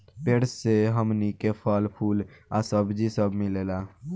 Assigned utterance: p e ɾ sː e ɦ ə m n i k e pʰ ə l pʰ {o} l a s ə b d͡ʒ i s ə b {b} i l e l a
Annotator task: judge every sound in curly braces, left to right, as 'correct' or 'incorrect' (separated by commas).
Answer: incorrect, incorrect